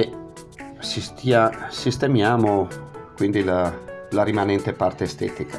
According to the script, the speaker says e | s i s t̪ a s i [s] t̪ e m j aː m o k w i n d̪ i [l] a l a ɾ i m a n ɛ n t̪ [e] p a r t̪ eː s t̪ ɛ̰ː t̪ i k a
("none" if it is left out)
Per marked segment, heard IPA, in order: s, l, e

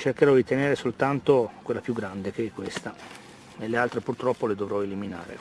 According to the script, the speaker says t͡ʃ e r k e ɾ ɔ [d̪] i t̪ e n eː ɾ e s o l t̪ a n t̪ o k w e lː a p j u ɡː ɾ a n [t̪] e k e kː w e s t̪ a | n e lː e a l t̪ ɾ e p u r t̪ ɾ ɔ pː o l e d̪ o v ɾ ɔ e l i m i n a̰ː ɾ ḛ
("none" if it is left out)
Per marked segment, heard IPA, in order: d̪, d̪

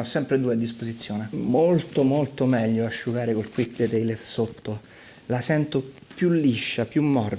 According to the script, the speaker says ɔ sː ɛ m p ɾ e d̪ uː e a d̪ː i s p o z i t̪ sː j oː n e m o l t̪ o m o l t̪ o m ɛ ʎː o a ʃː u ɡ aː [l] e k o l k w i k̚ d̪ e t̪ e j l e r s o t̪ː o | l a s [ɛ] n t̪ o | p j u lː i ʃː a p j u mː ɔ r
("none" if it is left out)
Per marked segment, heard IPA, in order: ɾ, ɛ

